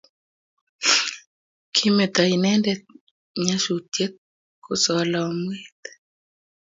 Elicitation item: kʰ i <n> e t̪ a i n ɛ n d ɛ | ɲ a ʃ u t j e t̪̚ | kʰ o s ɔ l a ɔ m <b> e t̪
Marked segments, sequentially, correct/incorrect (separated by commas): incorrect, incorrect